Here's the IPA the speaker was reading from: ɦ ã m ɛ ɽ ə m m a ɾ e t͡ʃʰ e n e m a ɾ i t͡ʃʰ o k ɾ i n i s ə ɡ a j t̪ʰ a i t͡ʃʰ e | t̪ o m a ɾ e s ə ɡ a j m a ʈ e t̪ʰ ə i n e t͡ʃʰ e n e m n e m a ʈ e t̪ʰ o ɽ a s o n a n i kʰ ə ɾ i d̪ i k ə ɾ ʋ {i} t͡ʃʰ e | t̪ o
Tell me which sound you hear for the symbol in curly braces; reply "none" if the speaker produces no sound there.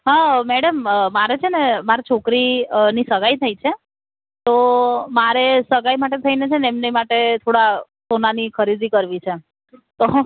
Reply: i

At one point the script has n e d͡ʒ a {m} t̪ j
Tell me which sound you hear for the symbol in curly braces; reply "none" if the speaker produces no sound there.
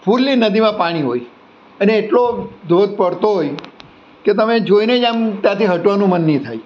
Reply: m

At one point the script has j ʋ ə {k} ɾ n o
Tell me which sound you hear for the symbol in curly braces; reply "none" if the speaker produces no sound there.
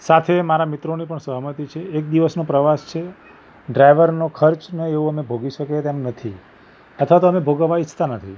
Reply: none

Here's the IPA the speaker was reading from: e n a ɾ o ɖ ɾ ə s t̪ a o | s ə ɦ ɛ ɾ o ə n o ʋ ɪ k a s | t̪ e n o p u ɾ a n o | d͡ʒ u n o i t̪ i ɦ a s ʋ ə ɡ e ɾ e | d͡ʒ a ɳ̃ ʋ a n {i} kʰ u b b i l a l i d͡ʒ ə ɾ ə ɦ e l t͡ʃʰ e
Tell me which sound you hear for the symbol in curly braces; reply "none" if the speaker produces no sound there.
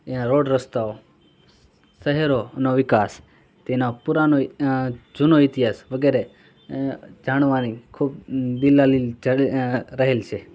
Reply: i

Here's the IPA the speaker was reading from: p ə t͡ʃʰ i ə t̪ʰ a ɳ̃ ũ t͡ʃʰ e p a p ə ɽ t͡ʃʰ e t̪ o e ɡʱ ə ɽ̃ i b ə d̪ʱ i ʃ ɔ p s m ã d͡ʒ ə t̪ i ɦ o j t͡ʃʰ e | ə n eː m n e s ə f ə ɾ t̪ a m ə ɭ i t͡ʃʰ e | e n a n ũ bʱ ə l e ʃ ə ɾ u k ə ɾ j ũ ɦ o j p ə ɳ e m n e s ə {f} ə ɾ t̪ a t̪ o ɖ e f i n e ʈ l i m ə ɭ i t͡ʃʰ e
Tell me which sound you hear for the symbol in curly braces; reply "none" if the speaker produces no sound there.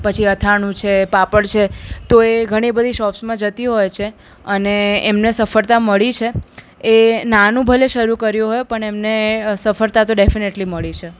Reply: f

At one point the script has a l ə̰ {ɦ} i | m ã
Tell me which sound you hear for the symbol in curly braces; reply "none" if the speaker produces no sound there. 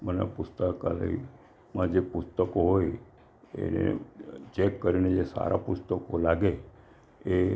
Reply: none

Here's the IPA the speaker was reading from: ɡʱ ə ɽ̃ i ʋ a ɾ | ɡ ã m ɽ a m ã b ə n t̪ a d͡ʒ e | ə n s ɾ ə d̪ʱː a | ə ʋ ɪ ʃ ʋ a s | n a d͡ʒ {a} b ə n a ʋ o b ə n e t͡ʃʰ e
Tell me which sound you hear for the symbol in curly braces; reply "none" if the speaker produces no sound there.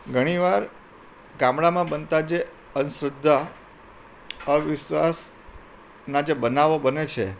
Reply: e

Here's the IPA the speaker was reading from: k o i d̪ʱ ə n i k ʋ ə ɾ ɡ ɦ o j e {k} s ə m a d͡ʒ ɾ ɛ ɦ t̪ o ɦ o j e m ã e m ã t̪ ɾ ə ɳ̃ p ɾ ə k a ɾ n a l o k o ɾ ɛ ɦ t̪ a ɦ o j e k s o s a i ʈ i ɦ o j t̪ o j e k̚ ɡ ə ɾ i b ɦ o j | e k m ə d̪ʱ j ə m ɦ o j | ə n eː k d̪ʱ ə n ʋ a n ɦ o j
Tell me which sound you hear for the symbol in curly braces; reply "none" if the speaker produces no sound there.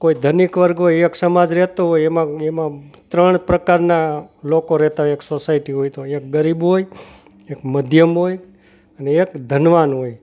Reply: k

